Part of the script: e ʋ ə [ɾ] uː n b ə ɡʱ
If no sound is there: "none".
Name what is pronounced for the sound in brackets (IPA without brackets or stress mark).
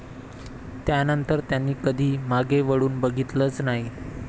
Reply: ɽ